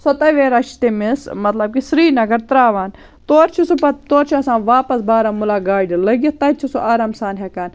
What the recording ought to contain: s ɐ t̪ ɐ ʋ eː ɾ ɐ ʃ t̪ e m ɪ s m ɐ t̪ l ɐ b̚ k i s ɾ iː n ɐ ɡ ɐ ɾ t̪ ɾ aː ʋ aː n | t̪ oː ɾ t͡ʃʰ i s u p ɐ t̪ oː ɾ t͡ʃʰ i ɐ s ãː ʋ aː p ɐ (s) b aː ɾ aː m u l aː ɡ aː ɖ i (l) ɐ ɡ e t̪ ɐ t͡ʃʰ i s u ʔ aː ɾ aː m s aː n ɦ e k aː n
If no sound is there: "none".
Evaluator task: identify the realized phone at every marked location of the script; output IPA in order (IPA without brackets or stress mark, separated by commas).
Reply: s, l